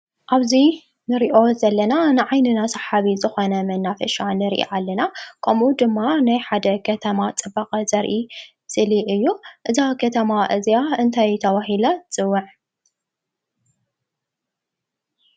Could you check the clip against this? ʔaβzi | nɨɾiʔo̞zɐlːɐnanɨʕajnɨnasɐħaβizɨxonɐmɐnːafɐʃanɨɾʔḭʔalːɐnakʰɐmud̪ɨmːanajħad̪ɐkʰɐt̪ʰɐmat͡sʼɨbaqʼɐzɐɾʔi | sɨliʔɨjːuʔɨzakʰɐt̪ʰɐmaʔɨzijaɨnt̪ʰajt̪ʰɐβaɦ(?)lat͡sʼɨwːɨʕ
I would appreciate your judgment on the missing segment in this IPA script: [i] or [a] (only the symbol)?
i